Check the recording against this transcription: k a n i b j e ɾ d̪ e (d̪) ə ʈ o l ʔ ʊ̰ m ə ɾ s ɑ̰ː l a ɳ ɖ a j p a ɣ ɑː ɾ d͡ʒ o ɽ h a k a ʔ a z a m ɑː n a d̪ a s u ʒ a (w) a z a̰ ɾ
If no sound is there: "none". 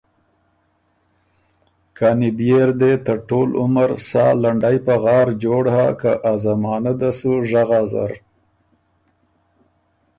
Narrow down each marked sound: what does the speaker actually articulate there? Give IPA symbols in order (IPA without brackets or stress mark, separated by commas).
t̪, ɣ